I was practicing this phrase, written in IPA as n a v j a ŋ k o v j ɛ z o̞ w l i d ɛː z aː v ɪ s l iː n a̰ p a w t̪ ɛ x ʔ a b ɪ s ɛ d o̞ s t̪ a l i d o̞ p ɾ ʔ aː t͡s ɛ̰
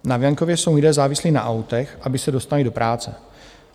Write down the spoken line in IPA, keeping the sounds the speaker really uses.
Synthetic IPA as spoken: n a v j a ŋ k o v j ɛ s o̞ w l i d ɛː z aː v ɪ s l iː n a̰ ʔ a w t̪ ɛ x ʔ a b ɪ s ɛ d o̞ s t̪ a l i d o̞ p ɾ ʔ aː t͡s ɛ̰